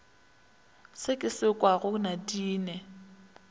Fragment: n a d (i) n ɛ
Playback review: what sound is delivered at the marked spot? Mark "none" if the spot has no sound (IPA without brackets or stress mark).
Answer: iː